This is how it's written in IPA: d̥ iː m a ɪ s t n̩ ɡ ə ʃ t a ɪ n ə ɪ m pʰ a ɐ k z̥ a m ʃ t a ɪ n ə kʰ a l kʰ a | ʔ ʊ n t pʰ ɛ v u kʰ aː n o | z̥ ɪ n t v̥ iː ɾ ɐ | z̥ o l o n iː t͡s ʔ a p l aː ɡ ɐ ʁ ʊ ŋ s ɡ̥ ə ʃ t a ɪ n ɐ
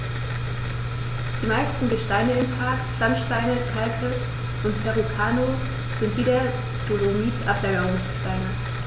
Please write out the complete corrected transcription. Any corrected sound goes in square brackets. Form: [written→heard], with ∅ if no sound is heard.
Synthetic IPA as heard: d̥ iː m a ɪ s t n̩ ɡ ə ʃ t a ɪ n ə ɪ m pʰ a ɐ k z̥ a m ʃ t a ɪ n ə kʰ a l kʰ [a→ə] | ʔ ʊ n t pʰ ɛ [v→ʁ] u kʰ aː n o | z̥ ɪ n t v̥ iː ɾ ɐ | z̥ o l o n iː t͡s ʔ a p l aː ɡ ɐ ʁ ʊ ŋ s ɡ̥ ə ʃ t a ɪ n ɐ